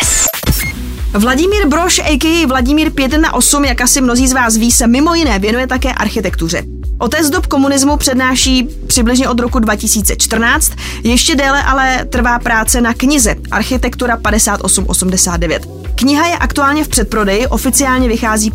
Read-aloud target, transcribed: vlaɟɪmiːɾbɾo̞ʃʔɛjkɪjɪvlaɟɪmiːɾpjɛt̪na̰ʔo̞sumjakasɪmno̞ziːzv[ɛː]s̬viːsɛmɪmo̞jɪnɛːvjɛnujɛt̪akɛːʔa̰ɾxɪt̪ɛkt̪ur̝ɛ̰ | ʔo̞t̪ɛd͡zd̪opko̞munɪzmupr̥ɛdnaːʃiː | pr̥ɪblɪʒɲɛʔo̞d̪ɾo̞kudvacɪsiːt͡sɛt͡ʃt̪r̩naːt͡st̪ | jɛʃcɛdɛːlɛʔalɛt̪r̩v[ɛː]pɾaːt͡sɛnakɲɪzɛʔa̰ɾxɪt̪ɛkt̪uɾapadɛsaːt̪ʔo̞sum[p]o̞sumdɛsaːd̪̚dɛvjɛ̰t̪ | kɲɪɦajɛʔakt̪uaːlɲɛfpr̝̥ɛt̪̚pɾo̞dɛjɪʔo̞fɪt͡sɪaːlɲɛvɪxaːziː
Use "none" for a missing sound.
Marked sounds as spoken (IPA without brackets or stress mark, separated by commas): aː, aː, ʔ